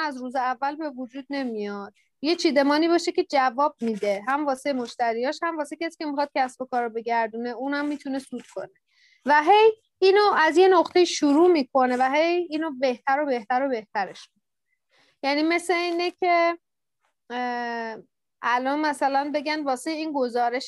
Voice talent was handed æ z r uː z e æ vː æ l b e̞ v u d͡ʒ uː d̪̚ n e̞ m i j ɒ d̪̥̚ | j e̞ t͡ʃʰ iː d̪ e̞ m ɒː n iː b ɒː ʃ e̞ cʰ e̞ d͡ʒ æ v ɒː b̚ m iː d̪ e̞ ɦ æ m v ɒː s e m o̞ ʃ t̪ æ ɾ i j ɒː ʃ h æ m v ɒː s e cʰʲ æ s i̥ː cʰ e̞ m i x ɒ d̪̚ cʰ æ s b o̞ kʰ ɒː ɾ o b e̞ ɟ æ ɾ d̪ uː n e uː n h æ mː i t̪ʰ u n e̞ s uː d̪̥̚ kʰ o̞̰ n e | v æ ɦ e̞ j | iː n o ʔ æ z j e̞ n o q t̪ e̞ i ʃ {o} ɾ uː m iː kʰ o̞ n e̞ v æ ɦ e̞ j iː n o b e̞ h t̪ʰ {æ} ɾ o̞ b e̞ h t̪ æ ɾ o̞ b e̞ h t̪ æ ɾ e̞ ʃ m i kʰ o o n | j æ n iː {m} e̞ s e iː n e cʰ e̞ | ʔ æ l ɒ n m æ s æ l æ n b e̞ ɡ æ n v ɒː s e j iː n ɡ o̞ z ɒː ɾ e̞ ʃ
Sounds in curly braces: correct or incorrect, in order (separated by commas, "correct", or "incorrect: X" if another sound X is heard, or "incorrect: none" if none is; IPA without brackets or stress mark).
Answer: incorrect: u, correct, correct